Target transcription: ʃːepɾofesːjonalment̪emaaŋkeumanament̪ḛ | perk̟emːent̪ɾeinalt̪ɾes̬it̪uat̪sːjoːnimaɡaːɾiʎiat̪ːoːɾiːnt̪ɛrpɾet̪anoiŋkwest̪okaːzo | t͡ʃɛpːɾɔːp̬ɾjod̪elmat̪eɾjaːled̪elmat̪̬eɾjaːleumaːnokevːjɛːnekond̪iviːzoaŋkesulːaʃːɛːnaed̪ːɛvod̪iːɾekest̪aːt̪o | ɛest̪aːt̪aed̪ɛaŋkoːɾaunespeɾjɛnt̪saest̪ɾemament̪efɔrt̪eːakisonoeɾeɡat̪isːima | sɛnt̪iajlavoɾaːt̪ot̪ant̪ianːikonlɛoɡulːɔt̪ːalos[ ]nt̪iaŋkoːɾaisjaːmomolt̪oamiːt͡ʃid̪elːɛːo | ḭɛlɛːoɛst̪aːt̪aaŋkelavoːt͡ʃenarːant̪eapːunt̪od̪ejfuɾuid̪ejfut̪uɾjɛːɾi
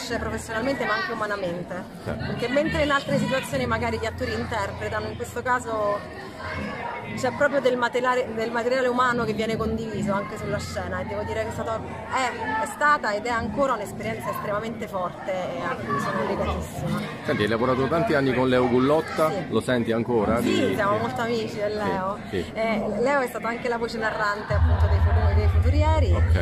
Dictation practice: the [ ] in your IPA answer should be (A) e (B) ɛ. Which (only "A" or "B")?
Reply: B